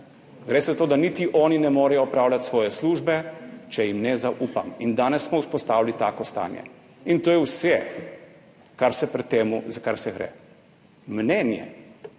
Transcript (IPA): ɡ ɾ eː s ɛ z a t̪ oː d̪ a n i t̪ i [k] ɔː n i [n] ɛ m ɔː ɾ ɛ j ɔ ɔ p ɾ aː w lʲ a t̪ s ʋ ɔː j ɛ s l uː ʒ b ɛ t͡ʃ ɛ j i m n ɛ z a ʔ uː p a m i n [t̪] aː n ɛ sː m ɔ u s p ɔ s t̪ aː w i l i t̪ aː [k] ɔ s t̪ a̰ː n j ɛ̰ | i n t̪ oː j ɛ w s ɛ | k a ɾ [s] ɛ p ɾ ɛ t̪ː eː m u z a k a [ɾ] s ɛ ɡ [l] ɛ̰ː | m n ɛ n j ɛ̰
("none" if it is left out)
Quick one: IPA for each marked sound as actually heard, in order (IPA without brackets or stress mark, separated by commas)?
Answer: ʔ, n, d̪, k, s, ɾ, ɾ